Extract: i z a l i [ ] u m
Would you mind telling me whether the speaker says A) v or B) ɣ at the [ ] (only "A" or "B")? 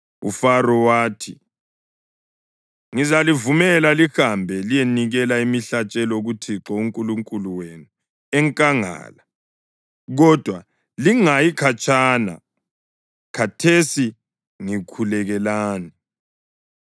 A